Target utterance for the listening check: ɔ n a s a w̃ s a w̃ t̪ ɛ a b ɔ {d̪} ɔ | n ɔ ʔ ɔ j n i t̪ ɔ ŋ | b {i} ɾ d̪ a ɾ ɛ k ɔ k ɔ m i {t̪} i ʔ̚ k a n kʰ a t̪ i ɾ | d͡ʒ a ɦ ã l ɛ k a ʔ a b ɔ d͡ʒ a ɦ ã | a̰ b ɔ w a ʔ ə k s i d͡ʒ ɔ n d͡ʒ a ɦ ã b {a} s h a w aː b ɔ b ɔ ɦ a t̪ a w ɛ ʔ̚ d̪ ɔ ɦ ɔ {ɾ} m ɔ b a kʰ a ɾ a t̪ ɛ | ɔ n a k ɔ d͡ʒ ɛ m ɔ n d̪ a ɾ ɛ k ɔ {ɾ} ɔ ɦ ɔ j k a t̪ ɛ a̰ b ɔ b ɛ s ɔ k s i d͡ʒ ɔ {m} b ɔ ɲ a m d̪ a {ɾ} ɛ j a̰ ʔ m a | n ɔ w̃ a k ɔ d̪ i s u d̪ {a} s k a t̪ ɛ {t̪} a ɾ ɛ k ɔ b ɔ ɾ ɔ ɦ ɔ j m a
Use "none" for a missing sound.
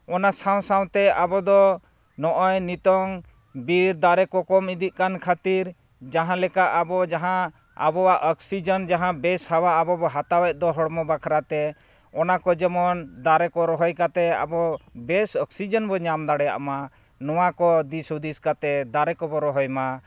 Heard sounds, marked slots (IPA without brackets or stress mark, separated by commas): d̪, i, d̪, ɛ, ɽ, ɾ, n, ɽ, i, d̪